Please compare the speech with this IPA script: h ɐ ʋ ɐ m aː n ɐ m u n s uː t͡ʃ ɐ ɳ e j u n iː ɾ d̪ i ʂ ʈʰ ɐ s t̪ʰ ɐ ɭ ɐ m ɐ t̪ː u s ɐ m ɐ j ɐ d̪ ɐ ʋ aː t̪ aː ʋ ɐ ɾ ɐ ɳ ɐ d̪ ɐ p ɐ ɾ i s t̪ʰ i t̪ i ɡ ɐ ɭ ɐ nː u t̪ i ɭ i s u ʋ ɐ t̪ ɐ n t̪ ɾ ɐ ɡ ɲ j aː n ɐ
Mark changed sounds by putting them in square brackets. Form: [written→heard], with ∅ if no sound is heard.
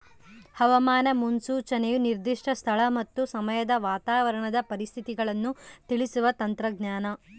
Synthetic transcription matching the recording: h ɐ ʋ ɐ m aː n ɐ m u n s uː t͡ʃ ɐ [ɳ→n] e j u n [iː→i] ɾ d̪ i ʂ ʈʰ ɐ s t̪ʰ ɐ ɭ ɐ m ɐ t̪ː u s ɐ m ɐ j ɐ d̪ ɐ ʋ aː t̪ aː ʋ ɐ ɾ ɐ ɳ ɐ d̪ ɐ p ɐ ɾ i s t̪ʰ i t̪ i ɡ ɐ ɭ ɐ nː u t̪ i ɭ i s u ʋ ɐ t̪ ɐ n t̪ ɾ ɐ ɡ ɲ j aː n ɐ

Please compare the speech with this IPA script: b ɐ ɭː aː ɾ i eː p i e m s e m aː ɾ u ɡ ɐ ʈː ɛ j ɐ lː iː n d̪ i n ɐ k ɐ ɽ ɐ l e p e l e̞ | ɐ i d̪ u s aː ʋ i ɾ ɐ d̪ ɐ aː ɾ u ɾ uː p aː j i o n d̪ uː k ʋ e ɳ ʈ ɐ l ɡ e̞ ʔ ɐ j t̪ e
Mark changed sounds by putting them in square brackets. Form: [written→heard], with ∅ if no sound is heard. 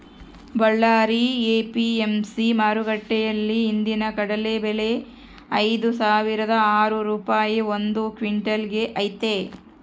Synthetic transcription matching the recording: b ɐ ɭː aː ɾ i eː p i e m s [e→i] m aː ɾ u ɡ ɐ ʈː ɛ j ɐ lː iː n d̪ i n ɐ k ɐ ɽ ɐ l e [p→b] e l e̞ | ɐ [i→j] d̪ u s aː ʋ i ɾ ɐ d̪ ɐ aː ɾ u ɾ uː p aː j i o n d̪ [uː→u] k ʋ [e→i] ɳ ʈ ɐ l ɡ e̞ ʔ ɐ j t̪ e

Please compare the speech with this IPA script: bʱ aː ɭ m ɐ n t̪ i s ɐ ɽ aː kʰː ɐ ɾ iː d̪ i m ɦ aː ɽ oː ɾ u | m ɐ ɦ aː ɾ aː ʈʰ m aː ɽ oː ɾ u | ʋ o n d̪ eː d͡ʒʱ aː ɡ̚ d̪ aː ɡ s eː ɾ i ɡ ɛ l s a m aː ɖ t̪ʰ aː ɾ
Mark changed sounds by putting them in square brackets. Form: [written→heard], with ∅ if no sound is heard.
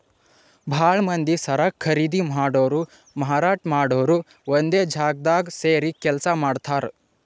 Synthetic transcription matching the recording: bʱ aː ɭ m ɐ n [t̪→d̪] i s ɐ [ɽ→ɾ] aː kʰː ɐ ɾ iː d̪ i m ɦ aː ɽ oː ɾ u | m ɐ ɦ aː ɾ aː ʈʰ m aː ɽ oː ɾ u | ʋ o n d̪ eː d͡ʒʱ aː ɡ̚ d̪ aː ɡ s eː ɾ i [ɡ→k] ɛ l s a m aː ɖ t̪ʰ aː ɾ

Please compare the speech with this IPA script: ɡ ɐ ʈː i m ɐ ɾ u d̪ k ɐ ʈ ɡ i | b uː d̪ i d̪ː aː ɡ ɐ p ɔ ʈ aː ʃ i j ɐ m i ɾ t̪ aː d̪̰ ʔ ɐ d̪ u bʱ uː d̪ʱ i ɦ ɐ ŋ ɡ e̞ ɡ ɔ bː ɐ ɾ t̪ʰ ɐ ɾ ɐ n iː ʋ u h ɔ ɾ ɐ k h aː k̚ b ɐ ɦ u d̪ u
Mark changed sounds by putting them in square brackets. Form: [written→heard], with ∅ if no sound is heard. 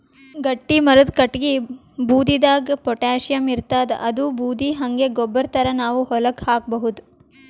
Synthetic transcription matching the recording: ɡ ɐ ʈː i m ɐ ɾ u d̪ k ɐ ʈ ɡ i | b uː d̪ i [d̪ː→d̪] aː ɡ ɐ p ɔ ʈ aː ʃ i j ɐ m i ɾ t̪ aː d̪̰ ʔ ɐ d̪ u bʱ uː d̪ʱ i ɦ ɐ ŋ ɡ e̞ ɡ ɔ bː ɐ ɾ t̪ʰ ɐ ɾ ɐ n [iː→aː] ʋ u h ɔ [ɾ→l] ɐ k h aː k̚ b ɐ ɦ u d̪ u

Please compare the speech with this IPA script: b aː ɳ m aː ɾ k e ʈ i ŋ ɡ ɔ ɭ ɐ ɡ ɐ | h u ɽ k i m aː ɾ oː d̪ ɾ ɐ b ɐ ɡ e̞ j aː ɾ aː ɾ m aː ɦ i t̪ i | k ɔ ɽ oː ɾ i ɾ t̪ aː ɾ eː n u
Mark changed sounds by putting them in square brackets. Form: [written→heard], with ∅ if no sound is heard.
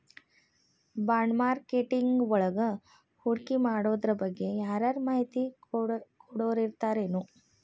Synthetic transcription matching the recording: b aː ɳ m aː ɾ k e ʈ i ŋ ɡ ɔ ɭ ɐ ɡ ɐ | h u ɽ k i m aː [ɾ→ɽ] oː d̪ ɾ ɐ b ɐ [ɡ→ɡː] e̞ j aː ɾ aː ɾ m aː ɦ i t̪ i | k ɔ ɽ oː ɾ i ɾ t̪ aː ɾ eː n u

